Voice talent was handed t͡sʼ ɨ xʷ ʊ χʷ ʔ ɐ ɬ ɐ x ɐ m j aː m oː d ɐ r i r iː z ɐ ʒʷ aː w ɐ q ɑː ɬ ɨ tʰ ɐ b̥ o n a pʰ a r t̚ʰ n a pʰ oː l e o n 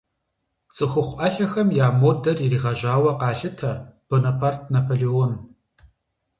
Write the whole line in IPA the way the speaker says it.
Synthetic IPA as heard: t͡sʼ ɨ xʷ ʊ χʷ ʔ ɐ ɬ ɐ x ɐ m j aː m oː d ɐ r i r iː ʁ ɐ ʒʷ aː w ɐ q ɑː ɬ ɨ tʰ ɐ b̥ o n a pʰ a r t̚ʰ n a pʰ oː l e o n